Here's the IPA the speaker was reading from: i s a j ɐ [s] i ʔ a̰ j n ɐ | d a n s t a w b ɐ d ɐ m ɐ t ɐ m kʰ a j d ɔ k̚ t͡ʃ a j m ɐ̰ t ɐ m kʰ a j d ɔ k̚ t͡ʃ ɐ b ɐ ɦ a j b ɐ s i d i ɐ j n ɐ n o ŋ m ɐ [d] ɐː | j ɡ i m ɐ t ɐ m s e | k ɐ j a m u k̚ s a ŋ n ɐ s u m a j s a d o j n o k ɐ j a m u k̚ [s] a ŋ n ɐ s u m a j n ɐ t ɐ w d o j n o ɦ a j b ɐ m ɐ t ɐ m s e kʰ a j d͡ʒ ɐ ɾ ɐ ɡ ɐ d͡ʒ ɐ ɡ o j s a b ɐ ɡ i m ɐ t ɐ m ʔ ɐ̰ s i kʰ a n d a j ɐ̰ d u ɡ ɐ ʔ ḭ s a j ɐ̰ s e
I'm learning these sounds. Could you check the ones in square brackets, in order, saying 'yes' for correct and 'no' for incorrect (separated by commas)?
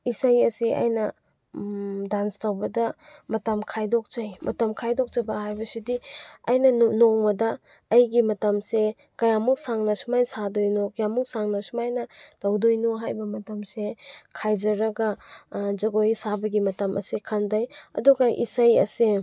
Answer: yes, yes, yes